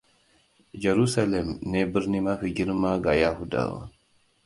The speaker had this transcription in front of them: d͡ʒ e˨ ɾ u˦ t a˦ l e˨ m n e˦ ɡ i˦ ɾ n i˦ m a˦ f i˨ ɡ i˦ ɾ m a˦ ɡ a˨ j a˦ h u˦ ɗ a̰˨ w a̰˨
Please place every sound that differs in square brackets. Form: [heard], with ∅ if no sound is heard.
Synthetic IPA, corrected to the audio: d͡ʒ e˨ ɾ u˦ [s] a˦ l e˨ m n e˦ [b] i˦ ɾ n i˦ m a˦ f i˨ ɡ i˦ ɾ m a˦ ɡ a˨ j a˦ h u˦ [d] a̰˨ w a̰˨